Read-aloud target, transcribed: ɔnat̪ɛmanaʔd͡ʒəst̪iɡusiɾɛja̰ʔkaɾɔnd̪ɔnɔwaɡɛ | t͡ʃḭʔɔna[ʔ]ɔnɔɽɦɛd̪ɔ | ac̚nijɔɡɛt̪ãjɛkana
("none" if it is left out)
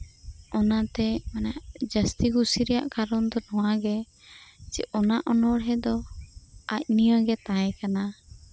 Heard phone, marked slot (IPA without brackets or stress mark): ʔ